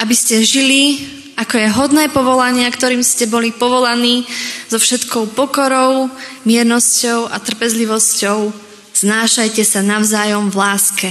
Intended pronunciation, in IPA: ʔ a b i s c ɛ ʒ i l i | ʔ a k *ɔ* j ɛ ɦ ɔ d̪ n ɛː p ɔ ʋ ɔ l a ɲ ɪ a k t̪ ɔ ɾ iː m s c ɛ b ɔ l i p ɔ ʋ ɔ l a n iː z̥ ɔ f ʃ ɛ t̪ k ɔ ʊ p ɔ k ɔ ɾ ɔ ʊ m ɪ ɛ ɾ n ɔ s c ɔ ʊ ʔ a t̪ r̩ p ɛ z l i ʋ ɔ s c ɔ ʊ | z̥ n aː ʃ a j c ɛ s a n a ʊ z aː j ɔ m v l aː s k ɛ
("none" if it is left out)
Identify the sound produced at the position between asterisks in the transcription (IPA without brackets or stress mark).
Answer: ɔ